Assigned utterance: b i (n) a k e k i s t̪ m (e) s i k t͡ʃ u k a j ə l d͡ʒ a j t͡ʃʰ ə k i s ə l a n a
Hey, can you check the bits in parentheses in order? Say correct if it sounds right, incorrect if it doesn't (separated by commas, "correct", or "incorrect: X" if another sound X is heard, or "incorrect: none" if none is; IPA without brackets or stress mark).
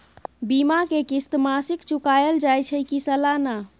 incorrect: m, incorrect: a